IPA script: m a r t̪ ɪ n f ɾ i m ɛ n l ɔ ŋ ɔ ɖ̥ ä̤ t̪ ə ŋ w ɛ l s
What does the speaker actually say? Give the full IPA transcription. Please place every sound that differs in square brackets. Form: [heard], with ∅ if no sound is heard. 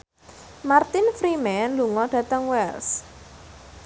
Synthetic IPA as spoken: m a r t̪ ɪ n f ɾ i m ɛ n l [u] ŋ ɔ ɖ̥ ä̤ t̪ ə ŋ w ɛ l s